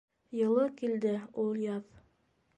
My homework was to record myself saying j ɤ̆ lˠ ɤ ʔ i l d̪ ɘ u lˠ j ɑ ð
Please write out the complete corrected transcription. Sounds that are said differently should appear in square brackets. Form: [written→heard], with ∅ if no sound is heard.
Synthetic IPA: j ɤ̆ lˠ ɤ [ʔ→k] i l d̪ ɘ u lˠ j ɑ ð